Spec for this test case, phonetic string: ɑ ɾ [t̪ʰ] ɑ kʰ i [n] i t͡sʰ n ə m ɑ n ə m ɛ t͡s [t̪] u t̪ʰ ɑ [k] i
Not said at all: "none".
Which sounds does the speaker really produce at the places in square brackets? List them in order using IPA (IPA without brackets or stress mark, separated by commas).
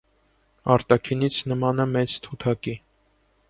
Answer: t̪, n, t̪ʰ, k